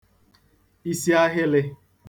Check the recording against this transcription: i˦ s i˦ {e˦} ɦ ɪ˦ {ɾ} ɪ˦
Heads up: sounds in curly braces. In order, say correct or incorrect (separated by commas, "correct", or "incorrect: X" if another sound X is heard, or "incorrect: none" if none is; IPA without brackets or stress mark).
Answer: incorrect: a˦, incorrect: l